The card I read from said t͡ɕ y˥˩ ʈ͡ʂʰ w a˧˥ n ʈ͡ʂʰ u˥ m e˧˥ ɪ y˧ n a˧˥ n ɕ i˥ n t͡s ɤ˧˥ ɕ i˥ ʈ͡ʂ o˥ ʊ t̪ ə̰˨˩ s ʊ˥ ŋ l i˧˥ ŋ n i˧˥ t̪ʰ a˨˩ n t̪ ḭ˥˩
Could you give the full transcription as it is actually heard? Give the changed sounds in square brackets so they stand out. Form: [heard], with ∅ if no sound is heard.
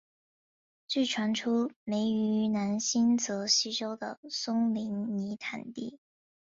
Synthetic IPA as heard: t͡ɕ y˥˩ ʈ͡ʂʰ w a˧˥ n ʈ͡ʂʰ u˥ m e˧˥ ɪ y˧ n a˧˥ n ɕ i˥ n t͡s ɤ˧˥ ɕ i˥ ʈ͡ʂ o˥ ʊ [d̪] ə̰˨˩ s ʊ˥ ŋ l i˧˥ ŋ n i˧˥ t̪ʰ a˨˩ n t̪ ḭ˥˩